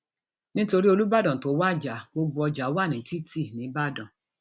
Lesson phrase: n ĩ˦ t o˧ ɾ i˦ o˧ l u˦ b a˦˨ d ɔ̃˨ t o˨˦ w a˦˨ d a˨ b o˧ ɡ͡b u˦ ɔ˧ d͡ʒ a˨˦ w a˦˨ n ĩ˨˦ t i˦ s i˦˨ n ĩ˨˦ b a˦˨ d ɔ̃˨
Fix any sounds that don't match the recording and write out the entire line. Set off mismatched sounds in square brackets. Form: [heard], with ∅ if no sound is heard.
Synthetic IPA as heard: n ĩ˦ t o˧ ɾ i˦ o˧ l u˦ b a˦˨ d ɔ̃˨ t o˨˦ w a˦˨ [d͡ʒ] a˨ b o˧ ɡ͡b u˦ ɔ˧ d͡ʒ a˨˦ w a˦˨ n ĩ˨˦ t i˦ [t] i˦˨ n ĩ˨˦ b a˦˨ d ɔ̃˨